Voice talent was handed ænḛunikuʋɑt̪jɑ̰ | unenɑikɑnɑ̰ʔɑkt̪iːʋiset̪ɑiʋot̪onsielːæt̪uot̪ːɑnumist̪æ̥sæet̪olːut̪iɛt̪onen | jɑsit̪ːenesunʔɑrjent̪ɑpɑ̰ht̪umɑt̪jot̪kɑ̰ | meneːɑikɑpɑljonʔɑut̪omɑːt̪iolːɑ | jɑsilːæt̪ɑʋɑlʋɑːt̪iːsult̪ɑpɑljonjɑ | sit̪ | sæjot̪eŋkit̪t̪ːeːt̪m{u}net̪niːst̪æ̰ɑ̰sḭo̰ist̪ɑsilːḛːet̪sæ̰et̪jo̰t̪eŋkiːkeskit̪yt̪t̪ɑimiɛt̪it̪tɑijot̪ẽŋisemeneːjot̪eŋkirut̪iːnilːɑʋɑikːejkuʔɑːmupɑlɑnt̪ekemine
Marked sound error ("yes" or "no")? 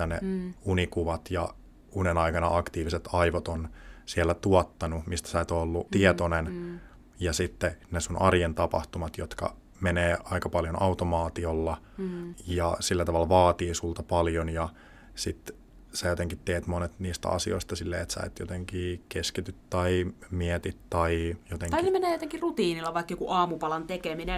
yes